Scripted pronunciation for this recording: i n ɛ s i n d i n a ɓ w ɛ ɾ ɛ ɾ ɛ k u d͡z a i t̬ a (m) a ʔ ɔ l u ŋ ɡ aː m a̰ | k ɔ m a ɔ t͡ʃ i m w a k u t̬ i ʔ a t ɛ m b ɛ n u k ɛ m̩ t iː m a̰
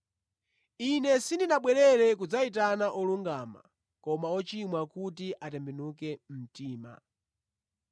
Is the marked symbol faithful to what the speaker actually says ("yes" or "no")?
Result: no